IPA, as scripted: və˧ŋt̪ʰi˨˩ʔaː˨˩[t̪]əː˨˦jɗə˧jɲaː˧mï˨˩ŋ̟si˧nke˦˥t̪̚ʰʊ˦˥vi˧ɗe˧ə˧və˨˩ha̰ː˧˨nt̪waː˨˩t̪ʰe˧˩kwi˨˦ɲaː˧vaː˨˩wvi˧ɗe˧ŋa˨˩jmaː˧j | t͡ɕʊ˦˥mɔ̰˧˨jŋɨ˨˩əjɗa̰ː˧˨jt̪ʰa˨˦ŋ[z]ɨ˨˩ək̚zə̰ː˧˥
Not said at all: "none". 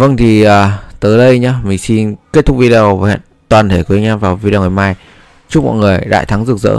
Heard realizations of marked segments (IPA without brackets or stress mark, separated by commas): t̪, z